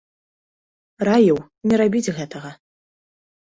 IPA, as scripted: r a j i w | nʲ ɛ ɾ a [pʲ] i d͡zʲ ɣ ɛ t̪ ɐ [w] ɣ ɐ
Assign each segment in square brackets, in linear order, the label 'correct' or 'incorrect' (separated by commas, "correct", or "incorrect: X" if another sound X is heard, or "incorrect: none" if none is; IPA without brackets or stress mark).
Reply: incorrect: bʲ, incorrect: none